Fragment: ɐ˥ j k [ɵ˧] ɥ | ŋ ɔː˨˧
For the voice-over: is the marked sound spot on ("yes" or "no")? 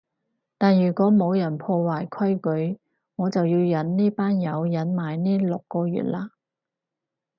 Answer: no